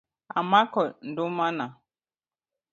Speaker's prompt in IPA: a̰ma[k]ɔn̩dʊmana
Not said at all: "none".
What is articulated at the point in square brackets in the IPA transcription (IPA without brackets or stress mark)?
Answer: k